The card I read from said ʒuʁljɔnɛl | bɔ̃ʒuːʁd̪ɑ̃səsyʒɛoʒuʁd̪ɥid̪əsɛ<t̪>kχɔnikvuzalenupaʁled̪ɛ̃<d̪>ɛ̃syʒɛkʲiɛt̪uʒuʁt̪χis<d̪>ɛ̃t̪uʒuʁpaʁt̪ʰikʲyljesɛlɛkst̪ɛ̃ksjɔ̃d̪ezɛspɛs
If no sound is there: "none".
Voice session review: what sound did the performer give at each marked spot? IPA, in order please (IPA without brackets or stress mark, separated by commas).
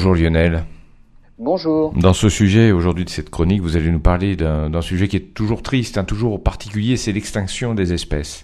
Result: t̪, d̪, t̪